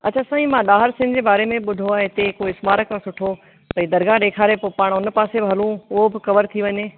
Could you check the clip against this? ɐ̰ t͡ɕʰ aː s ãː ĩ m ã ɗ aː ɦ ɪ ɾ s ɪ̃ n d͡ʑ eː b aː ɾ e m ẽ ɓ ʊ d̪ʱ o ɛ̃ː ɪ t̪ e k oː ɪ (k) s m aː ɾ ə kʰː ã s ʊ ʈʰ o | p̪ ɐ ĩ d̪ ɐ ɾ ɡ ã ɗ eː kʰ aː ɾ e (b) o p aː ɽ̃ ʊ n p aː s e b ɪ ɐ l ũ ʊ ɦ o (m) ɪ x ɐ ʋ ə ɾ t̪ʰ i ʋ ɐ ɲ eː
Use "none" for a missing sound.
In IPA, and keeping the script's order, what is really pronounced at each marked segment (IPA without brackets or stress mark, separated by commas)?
none, p, b